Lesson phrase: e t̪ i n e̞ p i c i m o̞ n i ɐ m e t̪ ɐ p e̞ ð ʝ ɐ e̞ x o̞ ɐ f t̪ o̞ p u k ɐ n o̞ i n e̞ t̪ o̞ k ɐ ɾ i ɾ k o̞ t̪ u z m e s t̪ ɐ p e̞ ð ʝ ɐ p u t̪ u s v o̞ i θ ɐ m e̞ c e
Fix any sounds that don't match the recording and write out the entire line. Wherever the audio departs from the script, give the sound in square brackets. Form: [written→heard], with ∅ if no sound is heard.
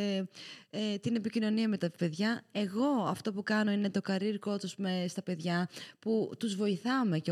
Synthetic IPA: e t̪ i n e̞ p i c i [m→n] o̞ n i ɐ m e t̪ ɐ p e̞ ð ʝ ɐ e̞ [x→ɣ] o̞ ɐ f t̪ o̞ p u k ɐ n o̞ i n e̞ t̪ o̞ k ɐ ɾ i ɾ k o̞ t̪ u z m e s t̪ ɐ p e̞ ð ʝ ɐ p u t̪ u [s→z] v o̞ i θ ɐ m e̞ c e